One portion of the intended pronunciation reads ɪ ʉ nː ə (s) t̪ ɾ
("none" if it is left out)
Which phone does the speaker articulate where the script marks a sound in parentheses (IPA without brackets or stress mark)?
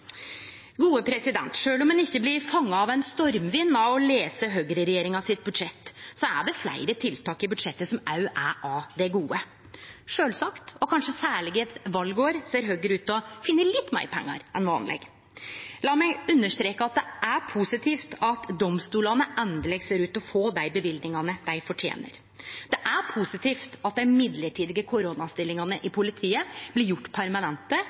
ʂ